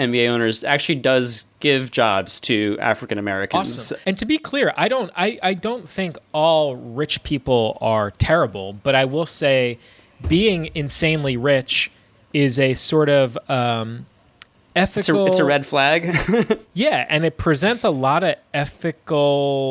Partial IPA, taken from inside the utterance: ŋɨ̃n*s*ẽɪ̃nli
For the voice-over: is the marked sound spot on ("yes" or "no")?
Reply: yes